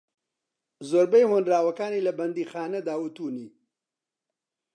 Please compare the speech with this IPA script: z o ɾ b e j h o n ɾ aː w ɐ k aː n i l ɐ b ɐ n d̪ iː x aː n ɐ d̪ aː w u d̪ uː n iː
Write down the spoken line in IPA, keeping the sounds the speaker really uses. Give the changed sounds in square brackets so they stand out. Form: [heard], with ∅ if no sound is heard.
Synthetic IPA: z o ɾ b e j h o n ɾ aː w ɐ k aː n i l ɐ b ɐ n d̪ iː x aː n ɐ d̪ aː w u [t̪] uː n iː